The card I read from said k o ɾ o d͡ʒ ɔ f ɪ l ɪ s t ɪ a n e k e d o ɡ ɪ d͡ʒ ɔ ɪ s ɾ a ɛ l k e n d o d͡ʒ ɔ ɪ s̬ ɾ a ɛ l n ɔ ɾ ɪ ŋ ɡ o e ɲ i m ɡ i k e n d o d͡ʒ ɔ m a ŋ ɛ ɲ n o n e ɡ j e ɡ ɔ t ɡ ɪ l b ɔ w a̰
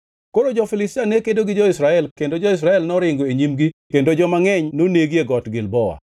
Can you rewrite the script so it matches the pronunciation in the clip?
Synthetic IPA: k o ɾ o d͡ʒ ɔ f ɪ l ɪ s t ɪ a n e k e d o ɡ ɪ d͡ʒ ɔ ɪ s ɾ a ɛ l k e n d o d͡ʒ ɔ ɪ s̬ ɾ a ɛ l n ɔ ɾ ɪ ŋ ɡ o e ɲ i m ɡ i k e n d o d͡ʒ ɔ m a ŋ ɛ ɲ n o n e ɡ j e ɡ ɔ t ɡ ɪ l b ɔ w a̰

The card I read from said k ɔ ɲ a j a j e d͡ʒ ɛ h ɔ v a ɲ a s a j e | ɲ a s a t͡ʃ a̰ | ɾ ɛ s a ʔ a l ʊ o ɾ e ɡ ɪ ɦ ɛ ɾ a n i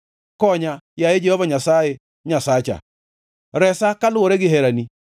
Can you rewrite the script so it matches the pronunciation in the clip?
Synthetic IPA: k ɔ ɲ a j a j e d͡ʒ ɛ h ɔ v a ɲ a s a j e | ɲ a s a t͡ʃ a̰ | ɾ ɛ s a k a l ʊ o ɾ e ɡ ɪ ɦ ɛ ɾ a n i

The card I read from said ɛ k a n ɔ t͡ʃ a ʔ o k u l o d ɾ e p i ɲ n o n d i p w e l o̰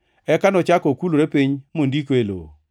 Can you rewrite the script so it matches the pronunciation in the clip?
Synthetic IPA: ɛ k a n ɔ t͡ʃ a k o k u l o ɾ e p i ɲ m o n d i k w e l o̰

